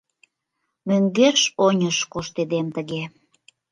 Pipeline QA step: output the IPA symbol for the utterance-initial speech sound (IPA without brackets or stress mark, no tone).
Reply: m